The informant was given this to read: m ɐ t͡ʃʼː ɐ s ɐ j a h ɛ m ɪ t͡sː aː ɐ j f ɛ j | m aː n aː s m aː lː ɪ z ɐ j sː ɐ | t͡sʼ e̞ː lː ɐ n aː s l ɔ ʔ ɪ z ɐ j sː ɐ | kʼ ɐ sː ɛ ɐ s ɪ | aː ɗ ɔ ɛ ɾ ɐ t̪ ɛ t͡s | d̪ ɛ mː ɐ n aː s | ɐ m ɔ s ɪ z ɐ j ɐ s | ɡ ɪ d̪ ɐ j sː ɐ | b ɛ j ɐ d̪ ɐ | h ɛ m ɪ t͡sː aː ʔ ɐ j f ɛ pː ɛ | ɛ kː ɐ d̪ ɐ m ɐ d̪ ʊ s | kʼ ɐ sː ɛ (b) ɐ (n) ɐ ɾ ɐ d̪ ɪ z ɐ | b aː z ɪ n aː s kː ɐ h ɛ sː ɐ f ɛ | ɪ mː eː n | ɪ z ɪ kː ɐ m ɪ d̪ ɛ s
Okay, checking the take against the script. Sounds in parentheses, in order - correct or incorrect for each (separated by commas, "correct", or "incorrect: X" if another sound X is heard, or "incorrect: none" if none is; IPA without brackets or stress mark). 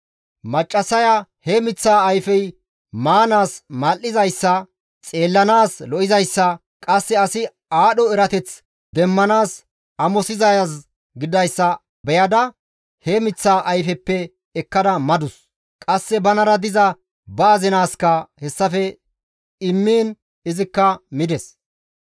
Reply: correct, correct